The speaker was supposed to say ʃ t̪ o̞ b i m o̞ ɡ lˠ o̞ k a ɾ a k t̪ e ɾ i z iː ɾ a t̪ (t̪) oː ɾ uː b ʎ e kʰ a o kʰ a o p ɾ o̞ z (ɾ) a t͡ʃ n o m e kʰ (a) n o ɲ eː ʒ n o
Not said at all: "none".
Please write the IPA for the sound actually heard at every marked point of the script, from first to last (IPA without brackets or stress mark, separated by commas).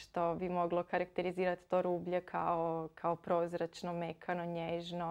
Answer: t̪, ɾ, a